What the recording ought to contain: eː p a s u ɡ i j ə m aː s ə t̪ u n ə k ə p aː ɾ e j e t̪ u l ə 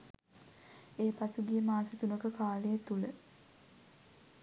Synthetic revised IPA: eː p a s u ɡ i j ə m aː s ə t̪ u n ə k ə k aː l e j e t̪ u l ə